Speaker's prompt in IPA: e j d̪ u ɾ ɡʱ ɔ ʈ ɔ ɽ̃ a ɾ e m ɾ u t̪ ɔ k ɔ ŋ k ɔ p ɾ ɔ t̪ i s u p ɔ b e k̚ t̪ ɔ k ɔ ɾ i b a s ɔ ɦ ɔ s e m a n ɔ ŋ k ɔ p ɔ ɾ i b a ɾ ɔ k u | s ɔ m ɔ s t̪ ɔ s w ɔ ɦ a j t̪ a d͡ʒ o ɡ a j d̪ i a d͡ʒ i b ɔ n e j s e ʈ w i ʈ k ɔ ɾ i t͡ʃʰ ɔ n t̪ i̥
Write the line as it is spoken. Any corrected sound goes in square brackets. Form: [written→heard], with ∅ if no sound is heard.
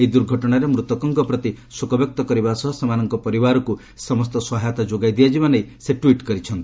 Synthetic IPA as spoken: e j d̪ u ɾ ɡʱ ɔ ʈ ɔ ɽ̃ a ɾ e m ɾ u t̪ ɔ k ɔ ŋ k ɔ p ɾ ɔ t̪ i s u [p→k] ɔ b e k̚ t̪ ɔ k ɔ ɾ i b a s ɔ ɦ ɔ s e m a n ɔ ŋ k ɔ p ɔ ɾ i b a ɾ ɔ k u | s ɔ m ɔ s t̪ ɔ s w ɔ ɦ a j t̪ a d͡ʒ o ɡ a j d̪ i a d͡ʒ i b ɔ n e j s e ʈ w i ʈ k ɔ ɾ i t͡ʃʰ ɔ n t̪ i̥